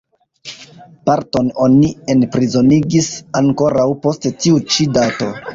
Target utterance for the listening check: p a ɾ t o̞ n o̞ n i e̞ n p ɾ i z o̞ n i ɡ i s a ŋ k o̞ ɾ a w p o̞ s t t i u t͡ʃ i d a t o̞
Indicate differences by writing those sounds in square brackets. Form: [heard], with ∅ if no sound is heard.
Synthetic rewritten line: p a ɾ t o̞ n o̞ n i e̞ n p ɾ i z o̞ n i ɡ i s a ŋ k o̞ ɾ a w p o̞ s t t i u t͡ʃ i d a t o̞